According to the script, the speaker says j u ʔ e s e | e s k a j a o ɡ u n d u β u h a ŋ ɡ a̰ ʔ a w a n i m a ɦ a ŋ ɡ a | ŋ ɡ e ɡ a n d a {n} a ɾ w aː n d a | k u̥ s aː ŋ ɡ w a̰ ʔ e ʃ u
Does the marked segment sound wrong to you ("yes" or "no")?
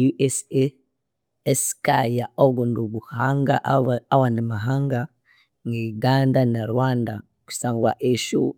no